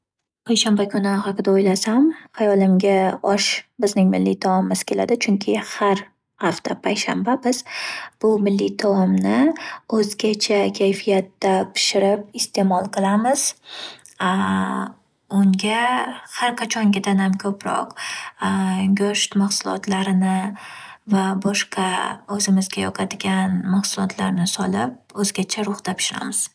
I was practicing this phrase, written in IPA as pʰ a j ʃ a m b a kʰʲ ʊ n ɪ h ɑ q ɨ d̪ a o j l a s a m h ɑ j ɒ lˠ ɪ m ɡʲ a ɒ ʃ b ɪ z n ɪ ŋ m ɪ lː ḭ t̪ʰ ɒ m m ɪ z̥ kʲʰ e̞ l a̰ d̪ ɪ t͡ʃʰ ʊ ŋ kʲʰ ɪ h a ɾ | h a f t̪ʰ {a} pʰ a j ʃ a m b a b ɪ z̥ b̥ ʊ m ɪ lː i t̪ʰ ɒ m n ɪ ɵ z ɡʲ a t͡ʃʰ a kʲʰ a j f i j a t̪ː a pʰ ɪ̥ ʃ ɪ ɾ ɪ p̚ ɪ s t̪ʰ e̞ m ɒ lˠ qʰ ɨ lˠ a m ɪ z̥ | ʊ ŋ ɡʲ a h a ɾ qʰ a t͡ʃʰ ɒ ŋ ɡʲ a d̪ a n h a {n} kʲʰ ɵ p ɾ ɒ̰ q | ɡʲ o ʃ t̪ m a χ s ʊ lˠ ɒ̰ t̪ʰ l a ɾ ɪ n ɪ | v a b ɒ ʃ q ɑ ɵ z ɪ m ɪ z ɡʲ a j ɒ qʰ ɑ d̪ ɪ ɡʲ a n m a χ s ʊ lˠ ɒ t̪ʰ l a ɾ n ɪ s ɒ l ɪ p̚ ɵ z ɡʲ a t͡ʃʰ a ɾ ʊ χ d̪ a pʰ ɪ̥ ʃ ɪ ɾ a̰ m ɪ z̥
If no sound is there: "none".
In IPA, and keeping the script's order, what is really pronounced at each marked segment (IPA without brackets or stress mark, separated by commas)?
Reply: a, m